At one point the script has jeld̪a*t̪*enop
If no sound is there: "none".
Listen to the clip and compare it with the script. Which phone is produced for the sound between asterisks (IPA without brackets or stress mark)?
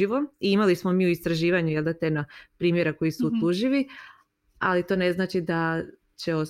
t̪